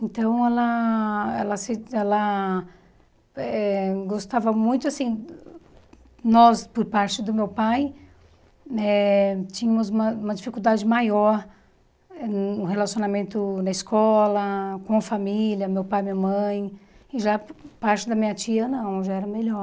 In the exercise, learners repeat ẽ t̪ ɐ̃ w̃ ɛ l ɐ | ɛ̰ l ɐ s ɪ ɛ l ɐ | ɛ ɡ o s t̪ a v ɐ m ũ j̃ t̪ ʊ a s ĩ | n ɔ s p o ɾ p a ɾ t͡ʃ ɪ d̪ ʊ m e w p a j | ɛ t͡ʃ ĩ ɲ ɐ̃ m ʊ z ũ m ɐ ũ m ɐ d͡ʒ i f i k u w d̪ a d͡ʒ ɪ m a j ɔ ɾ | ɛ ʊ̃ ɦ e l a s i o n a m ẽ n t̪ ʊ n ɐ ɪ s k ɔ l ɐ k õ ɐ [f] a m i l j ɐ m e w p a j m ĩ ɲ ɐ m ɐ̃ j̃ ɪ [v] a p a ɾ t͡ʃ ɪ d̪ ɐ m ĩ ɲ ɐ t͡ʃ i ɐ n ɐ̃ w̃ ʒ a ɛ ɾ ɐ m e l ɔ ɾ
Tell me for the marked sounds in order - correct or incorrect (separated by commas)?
correct, incorrect